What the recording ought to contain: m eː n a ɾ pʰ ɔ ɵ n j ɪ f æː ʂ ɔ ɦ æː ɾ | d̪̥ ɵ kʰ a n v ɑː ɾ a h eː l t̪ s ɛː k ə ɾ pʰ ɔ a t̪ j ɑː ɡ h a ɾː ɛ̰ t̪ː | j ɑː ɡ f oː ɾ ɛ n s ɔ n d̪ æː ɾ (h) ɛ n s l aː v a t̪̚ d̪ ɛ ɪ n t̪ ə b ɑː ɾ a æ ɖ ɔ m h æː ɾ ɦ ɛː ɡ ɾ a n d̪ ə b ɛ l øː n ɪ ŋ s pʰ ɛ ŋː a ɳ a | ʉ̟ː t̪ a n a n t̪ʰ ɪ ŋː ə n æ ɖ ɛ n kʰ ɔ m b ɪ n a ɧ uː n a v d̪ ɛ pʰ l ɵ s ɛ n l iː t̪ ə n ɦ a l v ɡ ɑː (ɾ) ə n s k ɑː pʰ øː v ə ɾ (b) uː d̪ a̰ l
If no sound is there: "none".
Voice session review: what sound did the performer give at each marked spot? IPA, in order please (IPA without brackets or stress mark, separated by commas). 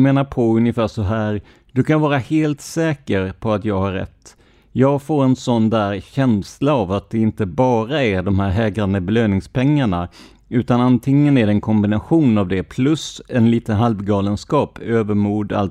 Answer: ɕ, l, m